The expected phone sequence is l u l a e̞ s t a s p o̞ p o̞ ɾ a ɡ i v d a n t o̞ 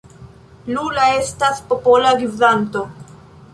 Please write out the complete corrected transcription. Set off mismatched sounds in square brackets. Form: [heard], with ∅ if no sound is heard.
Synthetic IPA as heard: l u l a e̞ s t a s p o̞ p o̞ [l] a ɡ i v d a n t o̞